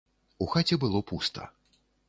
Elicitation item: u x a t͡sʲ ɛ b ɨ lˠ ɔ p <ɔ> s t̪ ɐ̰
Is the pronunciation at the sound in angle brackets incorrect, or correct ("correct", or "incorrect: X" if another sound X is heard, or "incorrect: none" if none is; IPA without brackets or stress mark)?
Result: incorrect: u